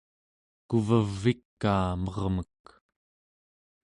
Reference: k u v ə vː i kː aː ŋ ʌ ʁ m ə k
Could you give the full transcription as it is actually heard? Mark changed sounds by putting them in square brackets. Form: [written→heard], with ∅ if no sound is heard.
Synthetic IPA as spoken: k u v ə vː i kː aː [ŋ→m] ʌ ʁ m ə k